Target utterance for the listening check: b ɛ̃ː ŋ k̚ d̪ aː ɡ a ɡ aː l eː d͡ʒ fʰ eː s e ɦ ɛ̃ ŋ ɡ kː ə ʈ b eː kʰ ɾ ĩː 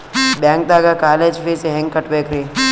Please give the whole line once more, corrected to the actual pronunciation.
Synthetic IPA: b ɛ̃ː ŋ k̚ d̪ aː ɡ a k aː l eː d͡ʒ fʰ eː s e ɦ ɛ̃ ŋ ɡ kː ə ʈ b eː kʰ ɾ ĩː